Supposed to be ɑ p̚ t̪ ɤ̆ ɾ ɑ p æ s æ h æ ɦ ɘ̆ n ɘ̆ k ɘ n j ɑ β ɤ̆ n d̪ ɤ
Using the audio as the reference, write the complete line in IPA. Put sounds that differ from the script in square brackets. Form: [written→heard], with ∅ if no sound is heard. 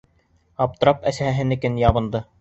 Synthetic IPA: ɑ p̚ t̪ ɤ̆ ɾ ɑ p æ s æ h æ ɦ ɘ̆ n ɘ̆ k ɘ n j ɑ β ɤ̆ n d̪ ɤ